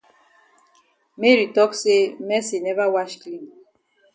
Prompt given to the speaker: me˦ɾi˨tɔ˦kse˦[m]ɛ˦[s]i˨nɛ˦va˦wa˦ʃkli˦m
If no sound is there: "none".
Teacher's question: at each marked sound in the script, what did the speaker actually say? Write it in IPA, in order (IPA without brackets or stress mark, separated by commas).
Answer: m, s